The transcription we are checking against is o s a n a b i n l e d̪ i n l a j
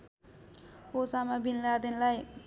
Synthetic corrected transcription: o s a m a b i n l a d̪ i n l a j